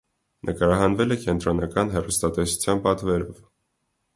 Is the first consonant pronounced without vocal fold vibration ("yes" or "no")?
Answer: no